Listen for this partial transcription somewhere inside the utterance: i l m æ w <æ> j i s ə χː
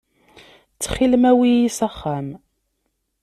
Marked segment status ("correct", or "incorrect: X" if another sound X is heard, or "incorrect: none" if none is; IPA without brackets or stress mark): incorrect: i